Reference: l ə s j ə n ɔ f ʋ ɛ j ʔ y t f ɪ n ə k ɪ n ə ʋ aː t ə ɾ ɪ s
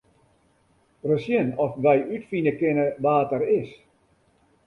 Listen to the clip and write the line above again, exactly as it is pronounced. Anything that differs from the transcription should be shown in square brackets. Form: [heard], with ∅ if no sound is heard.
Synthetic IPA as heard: [r] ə s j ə n ɔ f ʋ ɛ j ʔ y t f [i] n ə k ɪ n ə ʋ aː t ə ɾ ɪ s